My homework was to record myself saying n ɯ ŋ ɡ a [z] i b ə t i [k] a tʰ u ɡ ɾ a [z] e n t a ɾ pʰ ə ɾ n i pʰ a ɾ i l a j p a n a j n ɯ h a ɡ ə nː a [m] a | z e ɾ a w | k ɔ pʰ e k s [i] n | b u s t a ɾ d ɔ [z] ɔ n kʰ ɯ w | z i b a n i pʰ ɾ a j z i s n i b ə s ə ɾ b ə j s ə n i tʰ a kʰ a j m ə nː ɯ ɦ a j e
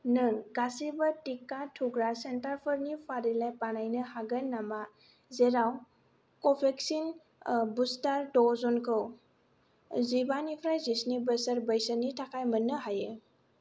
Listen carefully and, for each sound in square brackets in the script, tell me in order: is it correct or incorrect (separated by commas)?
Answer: incorrect, correct, incorrect, correct, correct, correct